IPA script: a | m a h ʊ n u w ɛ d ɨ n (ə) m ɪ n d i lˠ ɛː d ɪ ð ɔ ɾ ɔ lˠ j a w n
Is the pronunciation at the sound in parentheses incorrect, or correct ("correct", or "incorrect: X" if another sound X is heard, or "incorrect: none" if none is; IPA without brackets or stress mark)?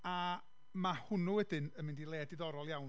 correct